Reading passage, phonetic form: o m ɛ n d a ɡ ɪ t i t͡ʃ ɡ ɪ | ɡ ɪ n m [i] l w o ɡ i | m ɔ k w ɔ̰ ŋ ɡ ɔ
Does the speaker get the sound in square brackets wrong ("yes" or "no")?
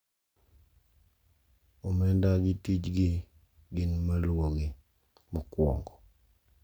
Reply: yes